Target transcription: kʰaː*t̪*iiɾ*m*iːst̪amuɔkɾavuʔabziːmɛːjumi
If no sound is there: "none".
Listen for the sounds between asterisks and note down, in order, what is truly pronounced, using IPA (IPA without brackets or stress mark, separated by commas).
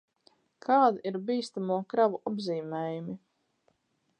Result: d̪, b